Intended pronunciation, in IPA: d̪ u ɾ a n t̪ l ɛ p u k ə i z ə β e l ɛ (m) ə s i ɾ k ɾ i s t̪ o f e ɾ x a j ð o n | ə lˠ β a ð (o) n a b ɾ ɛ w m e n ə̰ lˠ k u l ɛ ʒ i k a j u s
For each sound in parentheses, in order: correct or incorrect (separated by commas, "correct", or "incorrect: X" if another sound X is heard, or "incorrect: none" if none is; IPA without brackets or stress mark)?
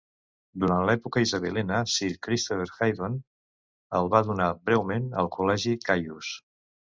incorrect: n, incorrect: u